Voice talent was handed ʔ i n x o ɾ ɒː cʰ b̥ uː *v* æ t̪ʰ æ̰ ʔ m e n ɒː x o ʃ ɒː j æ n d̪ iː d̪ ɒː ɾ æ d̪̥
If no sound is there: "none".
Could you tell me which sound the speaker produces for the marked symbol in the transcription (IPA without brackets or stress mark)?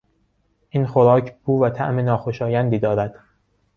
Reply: v